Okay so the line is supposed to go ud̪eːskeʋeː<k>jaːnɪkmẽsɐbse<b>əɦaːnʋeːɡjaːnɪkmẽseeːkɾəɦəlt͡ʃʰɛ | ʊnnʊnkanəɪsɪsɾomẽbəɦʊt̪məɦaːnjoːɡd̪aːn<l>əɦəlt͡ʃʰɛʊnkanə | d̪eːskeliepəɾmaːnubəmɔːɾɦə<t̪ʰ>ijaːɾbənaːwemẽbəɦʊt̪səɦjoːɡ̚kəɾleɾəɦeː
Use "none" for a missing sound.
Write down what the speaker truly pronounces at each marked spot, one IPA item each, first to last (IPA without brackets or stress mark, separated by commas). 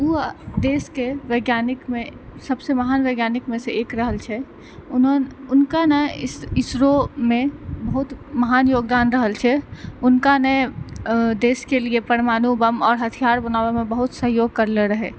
ɡ, m, ɾ, t̪ʰ